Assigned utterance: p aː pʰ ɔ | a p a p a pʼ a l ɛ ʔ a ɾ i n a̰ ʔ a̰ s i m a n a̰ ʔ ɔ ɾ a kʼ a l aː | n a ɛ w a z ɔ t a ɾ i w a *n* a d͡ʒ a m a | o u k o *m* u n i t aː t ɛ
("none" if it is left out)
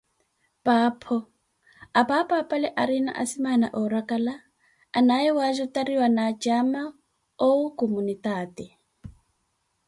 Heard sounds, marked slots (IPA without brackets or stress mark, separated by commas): n, m